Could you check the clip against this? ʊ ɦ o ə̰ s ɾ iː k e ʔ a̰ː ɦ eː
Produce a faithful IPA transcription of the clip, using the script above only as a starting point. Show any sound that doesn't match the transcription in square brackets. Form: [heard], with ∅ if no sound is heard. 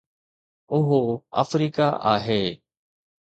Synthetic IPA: ʊ ɦ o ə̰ [f] ɾ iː k [a] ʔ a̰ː ɦ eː

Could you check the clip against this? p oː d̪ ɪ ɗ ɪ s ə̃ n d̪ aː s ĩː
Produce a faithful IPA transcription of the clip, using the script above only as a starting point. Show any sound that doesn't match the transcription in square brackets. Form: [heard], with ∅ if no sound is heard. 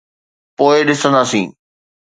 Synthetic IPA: p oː [∅] ɪ ɗ ɪ s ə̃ n d̪ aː s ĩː

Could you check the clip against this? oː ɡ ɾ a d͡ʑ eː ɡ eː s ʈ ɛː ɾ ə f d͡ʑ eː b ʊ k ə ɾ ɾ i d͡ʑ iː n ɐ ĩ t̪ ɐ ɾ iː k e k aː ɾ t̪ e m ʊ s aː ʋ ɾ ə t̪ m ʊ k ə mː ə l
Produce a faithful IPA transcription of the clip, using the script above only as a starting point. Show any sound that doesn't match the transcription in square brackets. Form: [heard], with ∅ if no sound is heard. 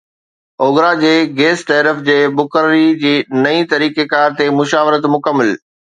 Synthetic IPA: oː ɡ ɾ a d͡ʑ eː ɡ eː s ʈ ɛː ɾ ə f d͡ʑ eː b ʊ k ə ɾ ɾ i d͡ʑ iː n ɐ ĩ t̪ ɐ ɾ iː k e k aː ɾ t̪ e m ʊ [ʃ] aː ʋ ɾ ə t̪ m ʊ k ə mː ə l

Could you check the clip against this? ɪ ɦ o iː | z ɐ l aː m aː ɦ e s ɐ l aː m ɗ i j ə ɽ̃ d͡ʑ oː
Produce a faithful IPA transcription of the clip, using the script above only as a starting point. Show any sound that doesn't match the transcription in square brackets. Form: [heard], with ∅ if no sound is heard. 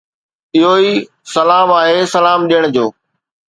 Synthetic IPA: ɪ ɦ o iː | [s] ɐ l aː m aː ɦ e s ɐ l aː m ɗ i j ə ɽ̃ d͡ʑ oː

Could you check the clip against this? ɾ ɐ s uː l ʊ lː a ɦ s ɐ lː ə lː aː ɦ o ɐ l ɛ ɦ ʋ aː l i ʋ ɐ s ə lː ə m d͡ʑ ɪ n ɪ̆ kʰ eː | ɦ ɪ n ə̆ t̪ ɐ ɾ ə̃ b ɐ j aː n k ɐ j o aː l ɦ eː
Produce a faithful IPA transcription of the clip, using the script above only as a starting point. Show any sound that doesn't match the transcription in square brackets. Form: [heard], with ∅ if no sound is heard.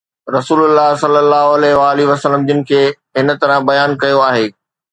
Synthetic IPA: ɾ ɐ s uː l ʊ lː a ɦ s ɐ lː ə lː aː ɦ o ɐ l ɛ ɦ ʋ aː l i ʋ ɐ s ə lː ə m d͡ʑ ɪ n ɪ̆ kʰ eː | ɦ ɪ n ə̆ t̪ ɐ ɾ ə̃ b ɐ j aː n k ɐ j o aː [∅] ɦ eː

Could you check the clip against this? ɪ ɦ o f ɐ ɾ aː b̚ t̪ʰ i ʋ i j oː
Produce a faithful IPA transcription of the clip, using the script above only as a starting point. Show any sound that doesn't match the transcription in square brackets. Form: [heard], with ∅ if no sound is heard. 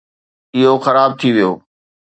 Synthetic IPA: ɪ ɦ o [x] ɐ ɾ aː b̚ t̪ʰ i ʋ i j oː

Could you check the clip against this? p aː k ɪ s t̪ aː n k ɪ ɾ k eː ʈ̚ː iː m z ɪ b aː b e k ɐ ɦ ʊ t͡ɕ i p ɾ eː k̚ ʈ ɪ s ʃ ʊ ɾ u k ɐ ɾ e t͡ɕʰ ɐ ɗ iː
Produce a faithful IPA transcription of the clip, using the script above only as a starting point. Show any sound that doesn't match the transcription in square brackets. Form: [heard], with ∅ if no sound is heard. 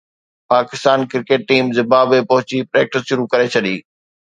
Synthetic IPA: p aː k ɪ s t̪ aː n k ɪ ɾ k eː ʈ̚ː iː m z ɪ b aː b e [p] ɐ ɦ ʊ t͡ɕ i p ɾ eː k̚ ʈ ɪ s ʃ ʊ ɾ u k ɐ ɾ e t͡ɕʰ ɐ ɗ iː

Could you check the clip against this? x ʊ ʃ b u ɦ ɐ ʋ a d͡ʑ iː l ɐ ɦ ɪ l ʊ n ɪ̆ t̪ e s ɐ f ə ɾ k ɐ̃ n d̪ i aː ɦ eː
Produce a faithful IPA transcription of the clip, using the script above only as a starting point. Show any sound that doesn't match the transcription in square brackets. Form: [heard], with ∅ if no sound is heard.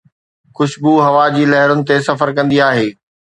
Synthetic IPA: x ʊ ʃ b u ɦ ɐ ʋ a d͡ʑ iː l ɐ ɦ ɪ [ɾ] ʊ n ɪ̆ t̪ e s ɐ f ə ɾ k ɐ̃ n d̪ i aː ɦ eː

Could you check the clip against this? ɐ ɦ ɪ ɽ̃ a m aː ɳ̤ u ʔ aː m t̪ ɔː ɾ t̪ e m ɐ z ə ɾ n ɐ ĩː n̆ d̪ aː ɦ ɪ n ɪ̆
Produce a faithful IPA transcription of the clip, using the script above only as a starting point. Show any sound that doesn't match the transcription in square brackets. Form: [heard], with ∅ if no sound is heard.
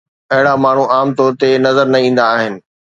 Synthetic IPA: ɐ ɦ ɪ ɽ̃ a m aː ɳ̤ u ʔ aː m t̪ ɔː ɾ t̪ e [n] ɐ z ə ɾ n ɐ ĩː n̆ d̪ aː ɦ ɪ n ɪ̆

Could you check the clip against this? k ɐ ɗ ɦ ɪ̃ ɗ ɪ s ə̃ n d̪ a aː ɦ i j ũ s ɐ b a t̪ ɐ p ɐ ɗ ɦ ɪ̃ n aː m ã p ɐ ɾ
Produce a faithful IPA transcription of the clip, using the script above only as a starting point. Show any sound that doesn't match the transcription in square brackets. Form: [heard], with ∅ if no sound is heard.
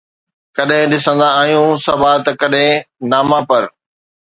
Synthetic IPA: k ɐ ɗ ɦ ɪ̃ ɗ ɪ s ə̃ n d̪ a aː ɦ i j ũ s ɐ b a t̪ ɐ [k] ɐ ɗ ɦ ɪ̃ n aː m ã p ɐ ɾ

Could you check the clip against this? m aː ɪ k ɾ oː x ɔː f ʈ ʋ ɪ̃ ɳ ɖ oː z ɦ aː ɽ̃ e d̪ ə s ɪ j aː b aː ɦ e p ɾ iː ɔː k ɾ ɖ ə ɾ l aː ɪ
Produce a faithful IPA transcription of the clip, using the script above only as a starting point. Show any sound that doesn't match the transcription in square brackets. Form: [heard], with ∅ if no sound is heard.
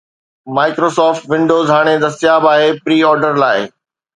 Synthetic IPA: m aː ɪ k ɾ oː [s] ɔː f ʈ ʋ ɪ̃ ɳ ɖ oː z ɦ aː ɽ̃ e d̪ [ɐ] s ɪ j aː b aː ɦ e p ɾ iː ɔː [∅] ɾ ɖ ə ɾ l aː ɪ

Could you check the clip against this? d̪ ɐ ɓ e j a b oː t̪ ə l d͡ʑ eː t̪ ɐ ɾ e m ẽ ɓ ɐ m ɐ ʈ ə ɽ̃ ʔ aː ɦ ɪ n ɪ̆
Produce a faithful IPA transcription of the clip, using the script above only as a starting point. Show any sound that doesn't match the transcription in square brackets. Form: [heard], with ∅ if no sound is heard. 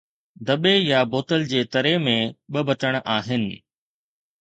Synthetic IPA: d̪ ɐ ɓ e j a b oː t̪ ə l d͡ʑ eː t̪ ɐ ɾ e m ẽ ɓ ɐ [b] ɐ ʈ ə ɽ̃ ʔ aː ɦ ɪ n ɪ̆

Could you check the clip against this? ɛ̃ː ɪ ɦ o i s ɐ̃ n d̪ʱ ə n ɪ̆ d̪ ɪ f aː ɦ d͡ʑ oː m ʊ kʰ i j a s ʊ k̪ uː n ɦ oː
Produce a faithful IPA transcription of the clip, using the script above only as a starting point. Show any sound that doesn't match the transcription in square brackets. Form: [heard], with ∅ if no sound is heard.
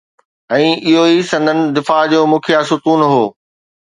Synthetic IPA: ɛ̃ː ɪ ɦ o i s ɐ̃ n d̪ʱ ə n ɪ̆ d̪ ɪ f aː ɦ d͡ʑ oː m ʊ kʰ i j a s ʊ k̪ uː n ɦ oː

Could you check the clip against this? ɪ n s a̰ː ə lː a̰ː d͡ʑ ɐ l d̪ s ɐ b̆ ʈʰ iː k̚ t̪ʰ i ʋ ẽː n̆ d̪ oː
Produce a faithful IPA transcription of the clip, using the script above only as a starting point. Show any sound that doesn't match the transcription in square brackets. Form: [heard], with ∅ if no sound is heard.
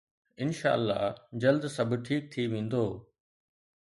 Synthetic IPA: ɪ n [ʃ] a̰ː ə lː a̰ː d͡ʑ ɐ l d̪ s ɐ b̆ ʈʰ iː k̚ t̪ʰ i ʋ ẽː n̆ d̪ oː

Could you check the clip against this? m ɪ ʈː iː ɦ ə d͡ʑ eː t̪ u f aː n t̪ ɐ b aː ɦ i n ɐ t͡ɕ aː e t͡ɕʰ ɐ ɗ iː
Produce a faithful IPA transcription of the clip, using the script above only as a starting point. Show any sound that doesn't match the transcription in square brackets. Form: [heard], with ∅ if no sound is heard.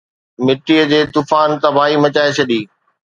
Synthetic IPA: m ɪ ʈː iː [∅] ə d͡ʑ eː t̪ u f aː n t̪ ɐ b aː ɦ i [m] ɐ t͡ɕ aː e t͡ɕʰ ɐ ɗ iː

